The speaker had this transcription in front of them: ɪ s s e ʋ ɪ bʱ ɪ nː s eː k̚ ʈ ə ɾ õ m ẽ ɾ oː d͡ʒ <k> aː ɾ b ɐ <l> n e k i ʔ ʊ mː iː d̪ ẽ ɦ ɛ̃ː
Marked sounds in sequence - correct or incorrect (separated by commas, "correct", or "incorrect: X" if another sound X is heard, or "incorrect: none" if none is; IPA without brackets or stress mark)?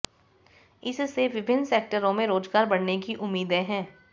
incorrect: ɡ, incorrect: ɽ